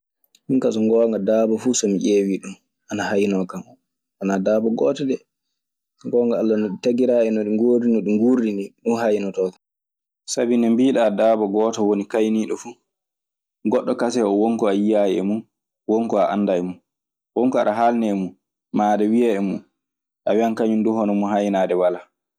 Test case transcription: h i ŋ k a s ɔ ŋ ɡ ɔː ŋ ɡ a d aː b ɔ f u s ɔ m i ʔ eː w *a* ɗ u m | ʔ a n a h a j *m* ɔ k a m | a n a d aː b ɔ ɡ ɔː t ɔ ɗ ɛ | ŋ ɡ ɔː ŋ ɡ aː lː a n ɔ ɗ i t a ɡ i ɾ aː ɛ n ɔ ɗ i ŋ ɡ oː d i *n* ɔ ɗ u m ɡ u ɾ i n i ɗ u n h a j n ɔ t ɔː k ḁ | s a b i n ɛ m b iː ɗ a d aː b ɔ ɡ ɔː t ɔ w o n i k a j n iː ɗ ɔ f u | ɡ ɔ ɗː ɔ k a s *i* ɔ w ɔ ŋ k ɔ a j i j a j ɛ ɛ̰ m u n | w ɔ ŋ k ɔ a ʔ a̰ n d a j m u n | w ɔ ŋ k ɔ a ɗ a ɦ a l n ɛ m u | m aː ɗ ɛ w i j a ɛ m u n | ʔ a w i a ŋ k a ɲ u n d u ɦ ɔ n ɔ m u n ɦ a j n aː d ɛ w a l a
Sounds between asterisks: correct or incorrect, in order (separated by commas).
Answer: incorrect, incorrect, correct, incorrect